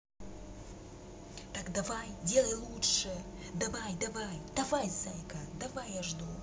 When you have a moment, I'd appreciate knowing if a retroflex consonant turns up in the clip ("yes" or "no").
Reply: yes